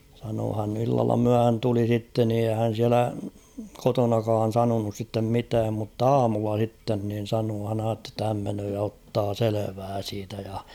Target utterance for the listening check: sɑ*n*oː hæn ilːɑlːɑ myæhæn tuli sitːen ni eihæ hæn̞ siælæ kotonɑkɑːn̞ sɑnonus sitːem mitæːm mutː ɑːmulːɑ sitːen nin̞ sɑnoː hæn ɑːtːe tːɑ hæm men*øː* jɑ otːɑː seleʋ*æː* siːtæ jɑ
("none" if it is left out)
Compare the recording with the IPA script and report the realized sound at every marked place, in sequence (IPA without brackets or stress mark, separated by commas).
n, øː, æː